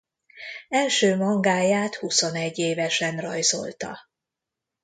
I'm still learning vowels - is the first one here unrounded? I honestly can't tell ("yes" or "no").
yes